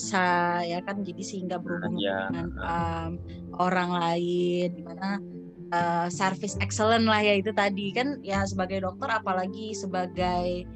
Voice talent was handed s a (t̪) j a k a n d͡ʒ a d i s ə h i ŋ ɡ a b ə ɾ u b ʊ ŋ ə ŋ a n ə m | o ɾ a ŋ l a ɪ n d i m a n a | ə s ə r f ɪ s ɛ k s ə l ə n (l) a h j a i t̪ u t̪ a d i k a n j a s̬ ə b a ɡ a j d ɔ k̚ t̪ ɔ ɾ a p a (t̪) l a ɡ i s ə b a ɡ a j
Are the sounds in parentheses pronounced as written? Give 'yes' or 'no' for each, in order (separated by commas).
no, yes, no